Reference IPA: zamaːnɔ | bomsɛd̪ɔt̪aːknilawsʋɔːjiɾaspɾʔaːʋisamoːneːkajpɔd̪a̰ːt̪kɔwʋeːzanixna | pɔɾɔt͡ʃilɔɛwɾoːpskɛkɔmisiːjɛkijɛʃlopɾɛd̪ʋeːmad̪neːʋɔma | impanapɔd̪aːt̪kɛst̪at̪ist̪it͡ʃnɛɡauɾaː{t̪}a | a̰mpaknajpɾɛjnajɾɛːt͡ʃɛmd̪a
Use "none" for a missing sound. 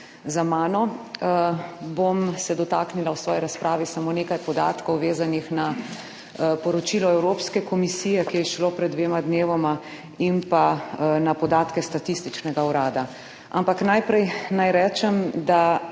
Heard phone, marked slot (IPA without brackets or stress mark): d̪